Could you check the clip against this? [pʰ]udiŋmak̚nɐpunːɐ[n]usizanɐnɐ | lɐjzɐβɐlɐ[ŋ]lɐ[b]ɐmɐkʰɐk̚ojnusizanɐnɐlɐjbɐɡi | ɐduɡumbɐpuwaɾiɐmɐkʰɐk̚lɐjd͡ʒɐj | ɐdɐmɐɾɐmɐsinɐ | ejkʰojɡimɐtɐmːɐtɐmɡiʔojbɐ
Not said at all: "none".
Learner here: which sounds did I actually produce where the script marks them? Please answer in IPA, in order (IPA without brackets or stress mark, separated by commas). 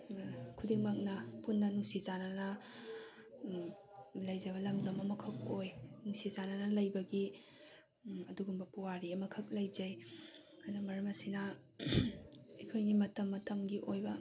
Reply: kʰ, n, m, m